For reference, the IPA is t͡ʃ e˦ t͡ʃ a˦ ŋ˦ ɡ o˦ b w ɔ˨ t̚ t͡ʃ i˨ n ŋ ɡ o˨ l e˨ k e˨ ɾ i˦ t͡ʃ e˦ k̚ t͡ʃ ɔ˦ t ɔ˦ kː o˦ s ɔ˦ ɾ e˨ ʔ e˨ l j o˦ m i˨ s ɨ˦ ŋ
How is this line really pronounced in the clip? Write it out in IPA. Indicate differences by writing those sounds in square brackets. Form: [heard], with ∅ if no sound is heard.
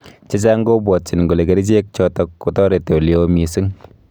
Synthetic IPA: t͡ʃ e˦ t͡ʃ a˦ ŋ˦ ɡ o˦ b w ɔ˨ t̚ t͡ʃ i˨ n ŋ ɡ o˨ l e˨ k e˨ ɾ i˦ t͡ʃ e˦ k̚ t͡ʃ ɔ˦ t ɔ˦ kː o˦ [t] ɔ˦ ɾ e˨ [t] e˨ l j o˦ m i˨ s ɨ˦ ŋ